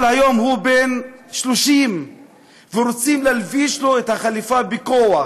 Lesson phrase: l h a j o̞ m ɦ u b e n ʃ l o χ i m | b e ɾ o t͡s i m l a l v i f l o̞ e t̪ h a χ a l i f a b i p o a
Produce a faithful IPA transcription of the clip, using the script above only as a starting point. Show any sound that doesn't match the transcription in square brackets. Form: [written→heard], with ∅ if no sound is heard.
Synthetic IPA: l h a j o̞ m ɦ u b e n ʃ l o [χ→ʃ] i m | [b→v] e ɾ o t͡s i m l a l v i [f→ʃ] l o̞ e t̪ h a χ a l i f a b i [p→k] o a